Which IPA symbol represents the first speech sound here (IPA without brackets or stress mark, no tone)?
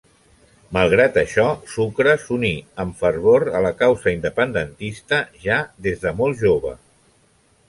m